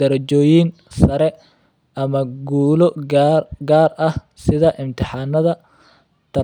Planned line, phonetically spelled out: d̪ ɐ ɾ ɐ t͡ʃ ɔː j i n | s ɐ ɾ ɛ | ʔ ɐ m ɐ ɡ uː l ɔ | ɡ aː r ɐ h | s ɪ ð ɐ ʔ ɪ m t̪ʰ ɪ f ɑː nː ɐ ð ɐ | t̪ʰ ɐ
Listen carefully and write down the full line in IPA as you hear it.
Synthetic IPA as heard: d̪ ɐ ɾ ɐ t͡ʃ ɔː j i n | s ɐ ɾ ɛ | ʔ ɐ m ɐ ɡ uː l ɔ | ɡ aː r ɐ h | s ɪ ð ɐ ʔ ɪ m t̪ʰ ɪ ħ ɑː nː ɐ ð ɐ | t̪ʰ ɐ